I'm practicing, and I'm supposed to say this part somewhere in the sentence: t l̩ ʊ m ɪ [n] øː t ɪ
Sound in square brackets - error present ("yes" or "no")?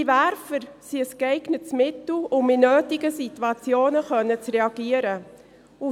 no